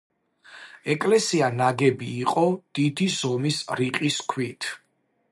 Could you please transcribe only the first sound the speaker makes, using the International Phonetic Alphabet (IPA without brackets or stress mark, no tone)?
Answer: ɛ